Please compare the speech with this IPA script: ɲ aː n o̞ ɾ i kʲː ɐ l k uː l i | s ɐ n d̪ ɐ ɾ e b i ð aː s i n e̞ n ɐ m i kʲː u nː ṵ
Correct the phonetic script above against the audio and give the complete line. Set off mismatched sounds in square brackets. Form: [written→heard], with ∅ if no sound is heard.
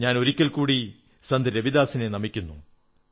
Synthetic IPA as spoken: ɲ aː n o̞ ɾ i kʲː ɐ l k uː [l→ɽ] i | s ɐ n d̪ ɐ ɾ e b i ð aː s i n e̞ n ɐ m i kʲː u nː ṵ